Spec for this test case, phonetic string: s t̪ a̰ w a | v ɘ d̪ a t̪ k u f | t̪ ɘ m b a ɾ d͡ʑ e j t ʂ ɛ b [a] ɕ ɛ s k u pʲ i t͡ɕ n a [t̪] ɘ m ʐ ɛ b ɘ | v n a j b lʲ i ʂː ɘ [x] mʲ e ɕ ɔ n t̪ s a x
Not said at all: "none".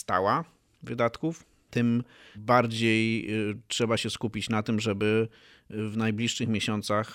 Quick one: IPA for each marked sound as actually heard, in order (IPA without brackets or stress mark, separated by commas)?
a, t̪, x